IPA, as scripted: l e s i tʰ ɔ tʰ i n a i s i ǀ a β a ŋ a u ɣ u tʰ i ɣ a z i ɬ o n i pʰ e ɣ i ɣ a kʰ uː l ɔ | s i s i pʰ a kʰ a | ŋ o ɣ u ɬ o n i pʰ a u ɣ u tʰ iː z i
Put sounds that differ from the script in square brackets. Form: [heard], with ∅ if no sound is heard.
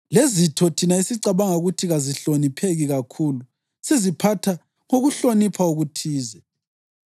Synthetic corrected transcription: l e [z] i tʰ ɔ tʰ i n a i s i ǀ a β a ŋ a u ɣ u tʰ i ɣ a z i ɬ o n i pʰ e ɣ i ɣ a kʰ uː l [u] | s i [z] i pʰ a [tʰ] a | ŋ o ɣ u ɬ o n i pʰ a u ɣ u tʰ iː z [ɛ]